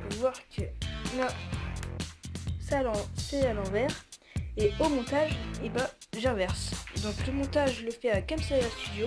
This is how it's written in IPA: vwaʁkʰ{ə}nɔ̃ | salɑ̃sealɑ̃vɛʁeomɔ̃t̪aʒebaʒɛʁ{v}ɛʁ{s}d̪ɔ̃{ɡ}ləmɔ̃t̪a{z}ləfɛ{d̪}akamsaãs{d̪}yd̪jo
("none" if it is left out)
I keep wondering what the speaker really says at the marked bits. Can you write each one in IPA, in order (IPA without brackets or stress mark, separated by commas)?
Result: ə, v, s, k, ʒ, none, t̪